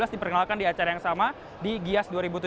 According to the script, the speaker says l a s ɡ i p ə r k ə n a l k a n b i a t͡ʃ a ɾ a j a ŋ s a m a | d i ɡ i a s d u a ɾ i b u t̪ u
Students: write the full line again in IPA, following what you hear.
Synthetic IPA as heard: l a s d i p ə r k ə n a l k a n d i a t͡ʃ a ɾ a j a ŋ s a m a | d i ɡ i a s d u a ɾ i b u t̪ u